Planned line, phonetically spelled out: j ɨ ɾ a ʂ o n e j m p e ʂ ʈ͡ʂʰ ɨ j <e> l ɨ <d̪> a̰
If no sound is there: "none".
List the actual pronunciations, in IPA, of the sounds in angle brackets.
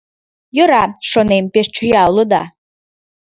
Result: a, d̪

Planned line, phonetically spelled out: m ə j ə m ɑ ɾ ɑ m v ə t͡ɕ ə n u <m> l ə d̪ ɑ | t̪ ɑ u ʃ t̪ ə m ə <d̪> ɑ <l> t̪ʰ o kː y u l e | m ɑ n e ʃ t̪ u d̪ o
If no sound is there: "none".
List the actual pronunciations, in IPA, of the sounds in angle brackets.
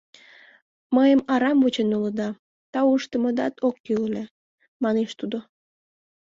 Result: none, d̪, none

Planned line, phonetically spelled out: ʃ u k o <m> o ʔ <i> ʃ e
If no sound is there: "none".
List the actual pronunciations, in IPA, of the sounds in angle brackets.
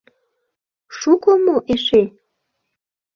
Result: m, e

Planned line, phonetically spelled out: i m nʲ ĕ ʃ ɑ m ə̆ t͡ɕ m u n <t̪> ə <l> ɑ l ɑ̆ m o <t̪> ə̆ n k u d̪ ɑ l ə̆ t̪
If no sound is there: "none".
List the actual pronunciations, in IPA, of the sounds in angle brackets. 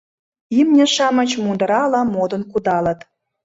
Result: d̪, ɾ, d̪

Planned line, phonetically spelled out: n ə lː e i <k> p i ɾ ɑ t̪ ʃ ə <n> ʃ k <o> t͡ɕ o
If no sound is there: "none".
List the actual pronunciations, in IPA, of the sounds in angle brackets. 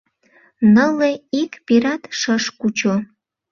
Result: k, none, u

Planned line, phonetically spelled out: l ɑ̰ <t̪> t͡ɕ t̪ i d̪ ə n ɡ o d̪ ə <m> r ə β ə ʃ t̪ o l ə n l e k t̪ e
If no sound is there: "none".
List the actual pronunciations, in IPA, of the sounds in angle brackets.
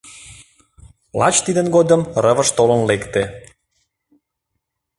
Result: none, m

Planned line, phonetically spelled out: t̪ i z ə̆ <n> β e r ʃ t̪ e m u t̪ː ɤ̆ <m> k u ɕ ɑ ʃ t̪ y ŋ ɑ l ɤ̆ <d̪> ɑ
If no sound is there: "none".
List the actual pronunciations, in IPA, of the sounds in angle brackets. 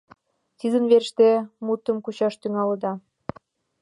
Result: n, m, d̪

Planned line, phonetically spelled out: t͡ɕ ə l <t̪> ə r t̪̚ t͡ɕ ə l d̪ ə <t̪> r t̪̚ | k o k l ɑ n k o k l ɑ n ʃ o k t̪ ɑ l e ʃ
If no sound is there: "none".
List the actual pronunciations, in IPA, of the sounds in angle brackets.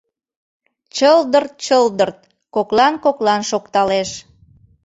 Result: d̪, none

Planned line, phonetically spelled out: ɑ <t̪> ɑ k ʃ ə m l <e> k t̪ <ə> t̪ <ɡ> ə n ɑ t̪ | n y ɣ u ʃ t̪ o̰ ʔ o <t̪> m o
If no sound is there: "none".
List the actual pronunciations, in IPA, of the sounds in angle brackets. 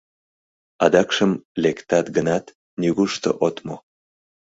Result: d̪, e, ɑ, ɡ, t̪

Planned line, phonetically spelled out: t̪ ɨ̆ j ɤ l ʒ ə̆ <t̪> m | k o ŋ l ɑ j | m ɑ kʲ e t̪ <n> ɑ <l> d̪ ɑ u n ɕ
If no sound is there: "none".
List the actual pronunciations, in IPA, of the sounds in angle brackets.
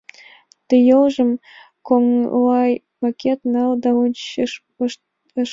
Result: none, n, l

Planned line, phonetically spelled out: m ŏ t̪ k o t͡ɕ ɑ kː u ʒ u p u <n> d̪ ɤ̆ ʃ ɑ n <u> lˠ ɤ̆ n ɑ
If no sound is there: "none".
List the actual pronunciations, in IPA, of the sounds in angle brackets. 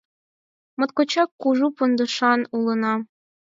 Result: n, u

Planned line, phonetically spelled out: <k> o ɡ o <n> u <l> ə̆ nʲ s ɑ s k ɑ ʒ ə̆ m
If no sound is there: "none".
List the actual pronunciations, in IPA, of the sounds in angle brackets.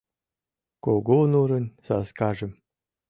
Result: k, n, ɾ

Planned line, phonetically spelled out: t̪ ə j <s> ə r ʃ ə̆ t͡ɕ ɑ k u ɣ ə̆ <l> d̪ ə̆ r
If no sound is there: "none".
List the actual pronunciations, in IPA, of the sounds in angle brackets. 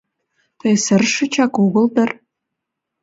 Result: s, l

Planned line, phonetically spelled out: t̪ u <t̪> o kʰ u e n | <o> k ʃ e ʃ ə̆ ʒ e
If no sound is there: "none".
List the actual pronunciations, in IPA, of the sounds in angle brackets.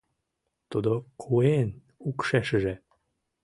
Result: d̪, u

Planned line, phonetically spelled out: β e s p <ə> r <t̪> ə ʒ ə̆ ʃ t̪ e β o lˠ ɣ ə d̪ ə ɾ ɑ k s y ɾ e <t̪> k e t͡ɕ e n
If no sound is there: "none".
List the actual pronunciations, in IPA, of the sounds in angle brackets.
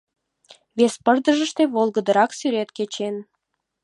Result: ə, d̪, t̪

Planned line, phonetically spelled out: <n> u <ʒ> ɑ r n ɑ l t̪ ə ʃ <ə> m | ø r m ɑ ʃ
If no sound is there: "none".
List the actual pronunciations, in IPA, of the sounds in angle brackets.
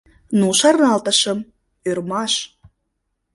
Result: n, ʃ, ə

